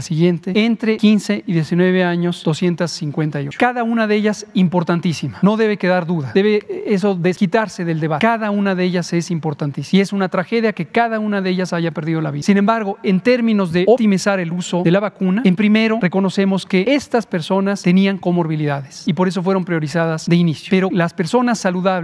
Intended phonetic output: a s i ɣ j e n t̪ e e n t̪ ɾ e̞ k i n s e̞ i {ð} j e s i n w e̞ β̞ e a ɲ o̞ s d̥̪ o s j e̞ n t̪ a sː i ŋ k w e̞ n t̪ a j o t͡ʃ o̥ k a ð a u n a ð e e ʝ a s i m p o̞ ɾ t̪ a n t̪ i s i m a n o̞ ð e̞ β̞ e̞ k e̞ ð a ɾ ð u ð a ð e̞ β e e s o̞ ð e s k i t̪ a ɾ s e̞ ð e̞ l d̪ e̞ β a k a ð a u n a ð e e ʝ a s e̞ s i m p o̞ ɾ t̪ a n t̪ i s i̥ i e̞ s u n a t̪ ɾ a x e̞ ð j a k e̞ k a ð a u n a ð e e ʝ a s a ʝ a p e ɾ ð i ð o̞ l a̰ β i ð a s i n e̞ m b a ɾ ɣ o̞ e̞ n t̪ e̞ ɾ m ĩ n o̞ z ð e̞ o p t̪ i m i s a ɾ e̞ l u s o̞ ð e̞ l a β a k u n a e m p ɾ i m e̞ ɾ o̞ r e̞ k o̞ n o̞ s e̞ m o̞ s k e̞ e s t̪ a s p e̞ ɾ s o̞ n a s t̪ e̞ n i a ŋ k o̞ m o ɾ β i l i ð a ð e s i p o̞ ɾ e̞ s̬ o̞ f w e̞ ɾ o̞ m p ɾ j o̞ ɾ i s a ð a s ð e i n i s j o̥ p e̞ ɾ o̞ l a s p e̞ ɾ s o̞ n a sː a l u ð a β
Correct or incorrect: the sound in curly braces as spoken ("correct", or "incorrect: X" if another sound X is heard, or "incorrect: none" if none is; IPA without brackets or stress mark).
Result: correct